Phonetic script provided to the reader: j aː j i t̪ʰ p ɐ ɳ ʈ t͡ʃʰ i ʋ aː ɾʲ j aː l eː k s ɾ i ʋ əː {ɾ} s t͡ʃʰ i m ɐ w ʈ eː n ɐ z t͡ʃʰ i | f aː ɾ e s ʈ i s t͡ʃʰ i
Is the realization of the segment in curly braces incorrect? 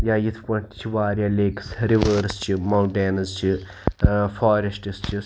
no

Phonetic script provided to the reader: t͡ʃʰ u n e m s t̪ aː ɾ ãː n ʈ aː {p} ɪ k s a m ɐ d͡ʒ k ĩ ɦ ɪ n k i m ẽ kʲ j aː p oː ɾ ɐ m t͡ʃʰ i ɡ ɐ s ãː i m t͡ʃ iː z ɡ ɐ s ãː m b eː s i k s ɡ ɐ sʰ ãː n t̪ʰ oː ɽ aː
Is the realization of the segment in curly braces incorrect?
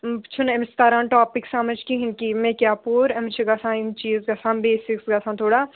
no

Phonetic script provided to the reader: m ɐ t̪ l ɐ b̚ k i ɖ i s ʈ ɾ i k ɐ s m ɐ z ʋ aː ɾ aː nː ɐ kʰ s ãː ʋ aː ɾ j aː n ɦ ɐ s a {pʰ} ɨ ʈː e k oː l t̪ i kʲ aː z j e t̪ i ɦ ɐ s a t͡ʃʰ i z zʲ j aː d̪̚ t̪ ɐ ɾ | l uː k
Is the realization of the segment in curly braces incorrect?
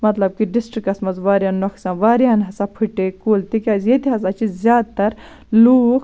no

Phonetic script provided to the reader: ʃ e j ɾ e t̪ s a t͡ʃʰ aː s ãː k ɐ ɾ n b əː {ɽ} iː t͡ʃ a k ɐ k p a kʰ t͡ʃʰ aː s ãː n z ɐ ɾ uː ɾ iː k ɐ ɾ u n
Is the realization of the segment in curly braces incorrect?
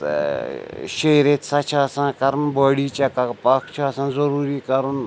no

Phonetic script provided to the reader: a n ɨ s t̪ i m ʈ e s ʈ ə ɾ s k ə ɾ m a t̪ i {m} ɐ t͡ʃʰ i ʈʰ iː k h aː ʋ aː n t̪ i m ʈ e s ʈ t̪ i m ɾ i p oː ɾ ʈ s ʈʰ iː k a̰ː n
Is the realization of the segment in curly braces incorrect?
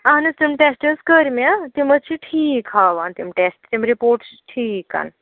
no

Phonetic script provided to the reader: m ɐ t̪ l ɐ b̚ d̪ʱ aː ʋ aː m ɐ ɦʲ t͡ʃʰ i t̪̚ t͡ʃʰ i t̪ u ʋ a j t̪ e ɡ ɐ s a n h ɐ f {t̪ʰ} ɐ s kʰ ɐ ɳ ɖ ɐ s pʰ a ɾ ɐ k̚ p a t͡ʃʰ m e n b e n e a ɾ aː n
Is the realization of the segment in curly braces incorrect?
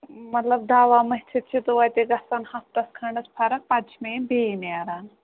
yes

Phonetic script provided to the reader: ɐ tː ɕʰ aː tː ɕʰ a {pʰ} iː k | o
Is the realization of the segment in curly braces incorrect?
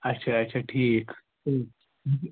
yes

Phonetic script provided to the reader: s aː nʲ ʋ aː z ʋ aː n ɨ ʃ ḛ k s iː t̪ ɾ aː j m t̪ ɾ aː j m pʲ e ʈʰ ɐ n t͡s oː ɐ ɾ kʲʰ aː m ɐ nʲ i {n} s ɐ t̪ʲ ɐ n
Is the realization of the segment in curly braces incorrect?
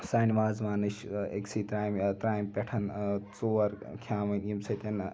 yes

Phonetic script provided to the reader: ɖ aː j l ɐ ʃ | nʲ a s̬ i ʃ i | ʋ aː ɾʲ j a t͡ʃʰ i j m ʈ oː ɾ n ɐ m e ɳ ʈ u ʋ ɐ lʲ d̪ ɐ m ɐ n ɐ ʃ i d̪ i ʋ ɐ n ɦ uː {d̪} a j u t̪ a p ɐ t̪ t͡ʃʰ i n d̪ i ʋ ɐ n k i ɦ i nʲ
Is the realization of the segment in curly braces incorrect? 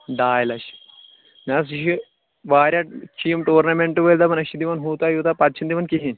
yes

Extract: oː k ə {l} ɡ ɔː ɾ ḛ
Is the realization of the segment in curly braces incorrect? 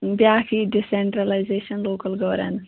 no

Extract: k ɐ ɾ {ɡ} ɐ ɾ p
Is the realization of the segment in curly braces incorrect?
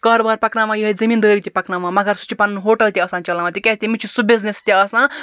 yes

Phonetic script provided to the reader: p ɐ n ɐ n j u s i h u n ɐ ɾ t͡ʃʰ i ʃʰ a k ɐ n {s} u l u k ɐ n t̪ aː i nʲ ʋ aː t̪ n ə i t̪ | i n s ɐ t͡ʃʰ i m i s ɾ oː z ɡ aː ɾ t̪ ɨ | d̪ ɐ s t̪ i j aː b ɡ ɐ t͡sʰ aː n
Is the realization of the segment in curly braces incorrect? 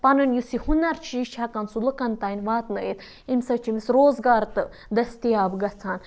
no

